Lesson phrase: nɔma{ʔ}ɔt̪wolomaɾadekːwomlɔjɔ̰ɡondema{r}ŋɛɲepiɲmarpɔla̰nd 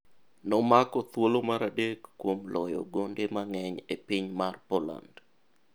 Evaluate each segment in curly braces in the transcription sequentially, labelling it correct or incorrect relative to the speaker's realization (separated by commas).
incorrect, incorrect